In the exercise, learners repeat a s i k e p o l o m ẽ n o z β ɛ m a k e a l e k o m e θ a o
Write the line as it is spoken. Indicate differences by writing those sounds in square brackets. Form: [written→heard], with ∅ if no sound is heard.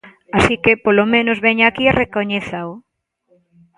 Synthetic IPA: a s i k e p o l o m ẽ n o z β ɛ [m→ɲ] a k [e→i] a [l→r] e k o [m→ɲ] e θ a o